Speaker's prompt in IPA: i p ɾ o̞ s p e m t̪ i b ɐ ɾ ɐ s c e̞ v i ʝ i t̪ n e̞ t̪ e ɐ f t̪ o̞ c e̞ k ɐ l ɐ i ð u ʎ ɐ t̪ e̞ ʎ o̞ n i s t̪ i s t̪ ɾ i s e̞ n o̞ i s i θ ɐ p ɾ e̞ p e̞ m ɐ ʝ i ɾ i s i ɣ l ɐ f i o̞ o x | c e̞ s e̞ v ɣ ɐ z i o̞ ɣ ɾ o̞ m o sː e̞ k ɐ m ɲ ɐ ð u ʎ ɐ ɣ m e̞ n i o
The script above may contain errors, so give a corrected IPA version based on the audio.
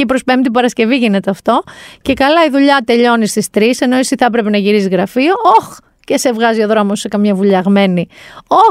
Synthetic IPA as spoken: i p ɾ o̞ s p e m t̪ i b ɐ ɾ ɐ s c e̞ v i ʝ i n e̞ t̪ e ɐ f t̪ o̞ c e̞ k ɐ l ɐ i ð u ʎ ɐ t̪ e̞ ʎ o̞ n i s t̪ i s t̪ ɾ i s e̞ n o̞ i s i θ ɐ p ɾ e̞ p e̞ n ɐ ʝ i ɾ i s i ɣ ɾ ɐ f i o̞ o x | c e̞ s e̞ v ɣ ɐ z i o̞ ð ɾ o̞ m o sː e̞ k ɐ m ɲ ɐ v u ʎ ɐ ɣ m e̞ n i o